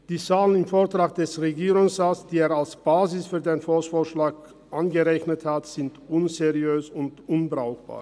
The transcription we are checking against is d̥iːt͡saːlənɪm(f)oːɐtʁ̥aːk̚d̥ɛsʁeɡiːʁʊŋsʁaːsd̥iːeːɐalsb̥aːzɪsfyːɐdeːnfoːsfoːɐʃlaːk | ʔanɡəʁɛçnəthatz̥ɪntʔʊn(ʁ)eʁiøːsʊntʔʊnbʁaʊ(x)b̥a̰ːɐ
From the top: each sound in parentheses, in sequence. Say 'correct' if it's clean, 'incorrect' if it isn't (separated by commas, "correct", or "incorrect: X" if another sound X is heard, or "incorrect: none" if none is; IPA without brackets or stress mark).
correct, incorrect: z, correct